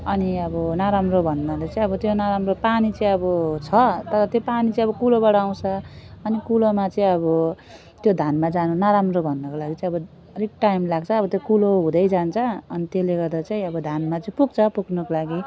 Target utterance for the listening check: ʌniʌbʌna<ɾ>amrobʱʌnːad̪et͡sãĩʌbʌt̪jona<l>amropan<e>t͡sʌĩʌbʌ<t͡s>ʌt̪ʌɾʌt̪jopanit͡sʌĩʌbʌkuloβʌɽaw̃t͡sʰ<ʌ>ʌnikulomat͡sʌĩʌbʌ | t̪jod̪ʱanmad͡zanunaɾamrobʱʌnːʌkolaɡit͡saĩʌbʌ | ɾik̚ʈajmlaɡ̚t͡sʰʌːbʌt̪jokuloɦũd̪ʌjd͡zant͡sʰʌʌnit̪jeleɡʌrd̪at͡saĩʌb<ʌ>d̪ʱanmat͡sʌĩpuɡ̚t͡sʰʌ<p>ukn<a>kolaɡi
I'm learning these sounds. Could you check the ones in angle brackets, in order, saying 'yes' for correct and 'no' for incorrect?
yes, no, no, no, yes, yes, yes, no

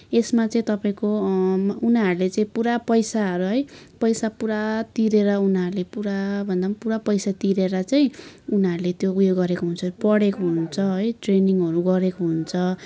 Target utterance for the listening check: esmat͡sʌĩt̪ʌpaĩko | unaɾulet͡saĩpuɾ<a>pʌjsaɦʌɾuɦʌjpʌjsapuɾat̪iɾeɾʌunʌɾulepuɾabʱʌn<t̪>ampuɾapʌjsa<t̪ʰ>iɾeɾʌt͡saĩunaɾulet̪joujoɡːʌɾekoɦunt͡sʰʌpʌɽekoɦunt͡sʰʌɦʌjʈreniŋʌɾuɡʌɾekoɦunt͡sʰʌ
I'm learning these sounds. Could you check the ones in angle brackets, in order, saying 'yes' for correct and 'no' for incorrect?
yes, no, no

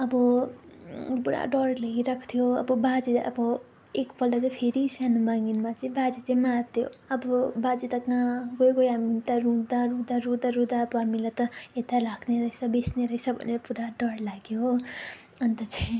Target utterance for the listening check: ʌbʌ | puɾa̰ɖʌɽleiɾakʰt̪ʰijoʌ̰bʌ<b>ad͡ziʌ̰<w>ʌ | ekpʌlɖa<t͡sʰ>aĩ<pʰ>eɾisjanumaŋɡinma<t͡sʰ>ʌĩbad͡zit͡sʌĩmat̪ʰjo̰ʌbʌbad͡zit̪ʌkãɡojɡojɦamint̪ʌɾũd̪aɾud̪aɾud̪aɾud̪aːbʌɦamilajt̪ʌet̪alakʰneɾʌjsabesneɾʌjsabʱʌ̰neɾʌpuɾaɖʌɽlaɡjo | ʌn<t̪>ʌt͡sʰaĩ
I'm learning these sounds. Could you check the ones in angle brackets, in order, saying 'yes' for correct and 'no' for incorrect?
yes, no, no, yes, no, yes

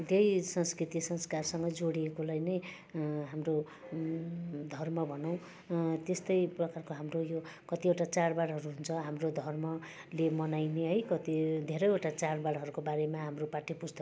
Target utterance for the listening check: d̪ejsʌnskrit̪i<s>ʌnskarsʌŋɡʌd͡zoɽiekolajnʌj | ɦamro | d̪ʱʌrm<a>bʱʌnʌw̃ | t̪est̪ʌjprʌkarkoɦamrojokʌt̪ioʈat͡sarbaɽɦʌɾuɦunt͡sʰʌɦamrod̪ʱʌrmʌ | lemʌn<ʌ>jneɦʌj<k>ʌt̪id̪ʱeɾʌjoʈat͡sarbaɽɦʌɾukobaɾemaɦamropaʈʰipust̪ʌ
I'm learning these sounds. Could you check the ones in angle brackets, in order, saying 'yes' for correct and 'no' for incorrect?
yes, no, no, yes

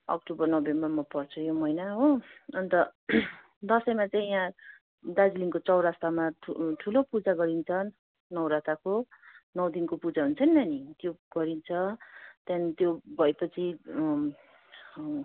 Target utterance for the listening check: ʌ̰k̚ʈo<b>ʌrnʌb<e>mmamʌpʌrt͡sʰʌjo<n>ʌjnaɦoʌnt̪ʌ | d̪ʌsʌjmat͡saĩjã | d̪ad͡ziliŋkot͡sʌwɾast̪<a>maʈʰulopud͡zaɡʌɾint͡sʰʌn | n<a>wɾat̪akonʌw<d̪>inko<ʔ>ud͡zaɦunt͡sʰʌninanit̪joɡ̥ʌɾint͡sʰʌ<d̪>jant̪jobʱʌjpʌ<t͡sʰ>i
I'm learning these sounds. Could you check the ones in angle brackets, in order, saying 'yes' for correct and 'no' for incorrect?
yes, yes, no, yes, no, yes, no, no, yes

